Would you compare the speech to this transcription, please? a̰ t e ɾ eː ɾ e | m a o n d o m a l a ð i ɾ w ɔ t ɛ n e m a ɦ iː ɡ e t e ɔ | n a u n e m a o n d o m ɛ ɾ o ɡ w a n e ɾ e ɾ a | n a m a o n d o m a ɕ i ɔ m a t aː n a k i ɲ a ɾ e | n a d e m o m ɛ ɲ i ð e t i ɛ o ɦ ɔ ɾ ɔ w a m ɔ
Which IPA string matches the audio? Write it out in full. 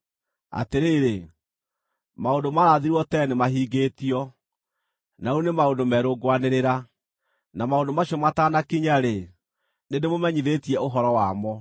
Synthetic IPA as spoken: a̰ t e ɾ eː ɾ e | m a o n d o m a ɾ a ð i ɾ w ɔ t ɛ n e m a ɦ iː ɡ e t i ɔ | n a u n e m a o n d o m ɛ ɾ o ɡ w a n e ɾ e ɾ a | n a m a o n d o m a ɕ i ɔ m a t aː n a k i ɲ a ɾ e | n e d e m o m ɛ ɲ i ð e t i ɛ o ɦ ɔ ɾ ɔ w a m ɔ